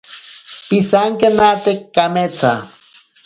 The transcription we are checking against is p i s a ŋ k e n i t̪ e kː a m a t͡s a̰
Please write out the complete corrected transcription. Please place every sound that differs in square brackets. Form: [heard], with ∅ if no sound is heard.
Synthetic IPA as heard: p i s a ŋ k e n [a] t̪ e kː a m [e] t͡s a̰